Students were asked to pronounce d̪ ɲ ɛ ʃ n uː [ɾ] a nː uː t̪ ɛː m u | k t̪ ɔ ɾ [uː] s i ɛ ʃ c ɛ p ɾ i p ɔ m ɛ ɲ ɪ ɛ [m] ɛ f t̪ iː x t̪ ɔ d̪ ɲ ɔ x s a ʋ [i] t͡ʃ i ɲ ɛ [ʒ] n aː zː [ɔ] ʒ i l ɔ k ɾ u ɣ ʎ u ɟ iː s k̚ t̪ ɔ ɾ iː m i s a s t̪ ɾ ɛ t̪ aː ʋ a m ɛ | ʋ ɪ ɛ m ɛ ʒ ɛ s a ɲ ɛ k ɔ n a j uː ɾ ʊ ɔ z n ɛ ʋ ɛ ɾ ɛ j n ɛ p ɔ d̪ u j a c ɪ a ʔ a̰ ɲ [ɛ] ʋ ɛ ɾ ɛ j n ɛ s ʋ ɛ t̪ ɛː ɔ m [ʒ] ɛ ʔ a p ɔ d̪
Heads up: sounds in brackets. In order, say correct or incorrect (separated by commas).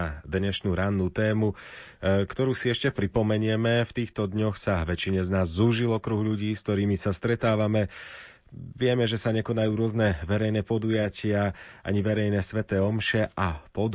correct, correct, correct, incorrect, incorrect, incorrect, incorrect, incorrect